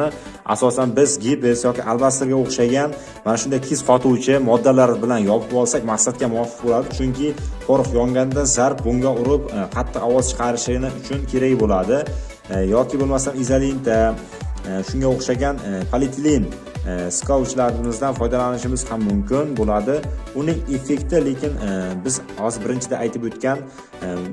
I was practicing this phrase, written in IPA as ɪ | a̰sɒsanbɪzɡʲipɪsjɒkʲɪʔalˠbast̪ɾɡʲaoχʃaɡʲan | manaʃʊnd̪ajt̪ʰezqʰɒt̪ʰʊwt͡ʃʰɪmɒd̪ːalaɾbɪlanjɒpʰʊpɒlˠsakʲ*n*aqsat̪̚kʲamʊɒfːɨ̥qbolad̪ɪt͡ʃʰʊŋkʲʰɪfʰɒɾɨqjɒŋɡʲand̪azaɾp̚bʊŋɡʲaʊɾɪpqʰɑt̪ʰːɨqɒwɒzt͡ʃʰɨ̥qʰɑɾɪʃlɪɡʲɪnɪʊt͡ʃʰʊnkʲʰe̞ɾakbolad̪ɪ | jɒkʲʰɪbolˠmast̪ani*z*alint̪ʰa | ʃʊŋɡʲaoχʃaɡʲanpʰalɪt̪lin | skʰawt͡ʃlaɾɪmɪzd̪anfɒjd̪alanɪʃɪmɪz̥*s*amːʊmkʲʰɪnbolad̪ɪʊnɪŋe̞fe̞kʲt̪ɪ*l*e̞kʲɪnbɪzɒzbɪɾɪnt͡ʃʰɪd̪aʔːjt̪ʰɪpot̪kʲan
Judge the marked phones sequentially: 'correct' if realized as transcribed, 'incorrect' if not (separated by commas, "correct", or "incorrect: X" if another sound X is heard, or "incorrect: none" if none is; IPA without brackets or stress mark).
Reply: incorrect: m, correct, incorrect: h, correct